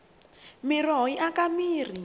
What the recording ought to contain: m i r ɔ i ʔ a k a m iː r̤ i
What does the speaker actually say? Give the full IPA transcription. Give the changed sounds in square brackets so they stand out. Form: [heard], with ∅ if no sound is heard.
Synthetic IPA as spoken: m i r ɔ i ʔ a k a m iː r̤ i